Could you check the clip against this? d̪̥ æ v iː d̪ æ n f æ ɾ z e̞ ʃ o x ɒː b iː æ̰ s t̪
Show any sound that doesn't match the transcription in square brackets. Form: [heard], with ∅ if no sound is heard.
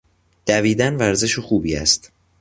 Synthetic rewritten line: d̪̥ æ v iː d̪ æ n [v] æ ɾ z e̞ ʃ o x [uː] b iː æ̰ s t̪